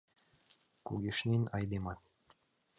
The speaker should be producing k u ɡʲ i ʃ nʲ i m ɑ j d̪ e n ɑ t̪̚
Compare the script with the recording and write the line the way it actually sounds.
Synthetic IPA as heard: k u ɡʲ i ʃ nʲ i n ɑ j d̪ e m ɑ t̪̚